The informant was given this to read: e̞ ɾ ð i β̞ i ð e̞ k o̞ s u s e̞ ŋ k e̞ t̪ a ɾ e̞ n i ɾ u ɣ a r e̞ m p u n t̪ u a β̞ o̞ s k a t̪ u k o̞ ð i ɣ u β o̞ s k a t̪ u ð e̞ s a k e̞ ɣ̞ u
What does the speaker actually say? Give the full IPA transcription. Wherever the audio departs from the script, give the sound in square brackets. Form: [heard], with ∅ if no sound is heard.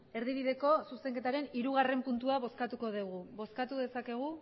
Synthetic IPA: e̞ ɾ ð i β̞ i ð e̞ k o̞ s u s e̞ ŋ k e̞ t̪ a ɾ e̞ n i ɾ u ɣ a r e̞ m p u n t̪ u a β̞ o̞ s k a t̪ u k o̞ ð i ɣ u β o̞ s k a t̪ u ð e̞ s a k e̞ ɣ̞ u